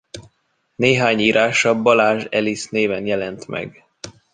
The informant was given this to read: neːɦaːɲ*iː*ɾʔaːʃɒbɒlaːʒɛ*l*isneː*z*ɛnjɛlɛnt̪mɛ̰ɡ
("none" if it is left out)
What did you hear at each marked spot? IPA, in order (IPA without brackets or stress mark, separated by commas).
iː, l, v